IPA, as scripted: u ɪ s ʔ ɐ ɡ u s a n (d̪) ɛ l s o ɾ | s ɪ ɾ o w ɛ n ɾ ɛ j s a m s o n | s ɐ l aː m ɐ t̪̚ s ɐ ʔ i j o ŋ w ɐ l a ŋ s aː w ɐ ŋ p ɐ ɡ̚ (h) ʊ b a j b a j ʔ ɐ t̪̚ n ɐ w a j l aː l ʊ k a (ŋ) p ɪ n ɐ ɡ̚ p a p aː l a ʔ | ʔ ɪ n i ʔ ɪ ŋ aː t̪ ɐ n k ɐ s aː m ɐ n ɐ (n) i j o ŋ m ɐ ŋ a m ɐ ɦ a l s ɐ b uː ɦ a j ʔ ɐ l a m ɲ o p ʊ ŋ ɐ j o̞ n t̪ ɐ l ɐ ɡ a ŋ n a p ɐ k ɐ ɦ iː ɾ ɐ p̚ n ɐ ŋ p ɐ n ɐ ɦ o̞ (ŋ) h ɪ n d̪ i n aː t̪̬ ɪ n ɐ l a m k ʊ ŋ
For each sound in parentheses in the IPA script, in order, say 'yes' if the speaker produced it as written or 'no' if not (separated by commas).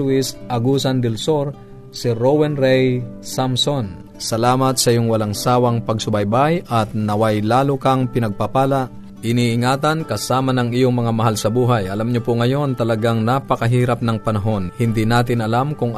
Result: yes, no, yes, no, no